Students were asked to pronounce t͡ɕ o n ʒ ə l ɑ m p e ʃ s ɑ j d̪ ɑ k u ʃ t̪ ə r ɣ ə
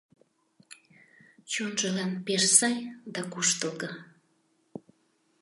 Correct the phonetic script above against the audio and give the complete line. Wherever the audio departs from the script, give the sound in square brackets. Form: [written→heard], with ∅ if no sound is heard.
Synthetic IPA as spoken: t͡ɕ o n ʒ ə l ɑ [m→n] p e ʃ s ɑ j d̪ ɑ k u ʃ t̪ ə [r→l] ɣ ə